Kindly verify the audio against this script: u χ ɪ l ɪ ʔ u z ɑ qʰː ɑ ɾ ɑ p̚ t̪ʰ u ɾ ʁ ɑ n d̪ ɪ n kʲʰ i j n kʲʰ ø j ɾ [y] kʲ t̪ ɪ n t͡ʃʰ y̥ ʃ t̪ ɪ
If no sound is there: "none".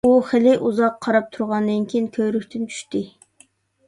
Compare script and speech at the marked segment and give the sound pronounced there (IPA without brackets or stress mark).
y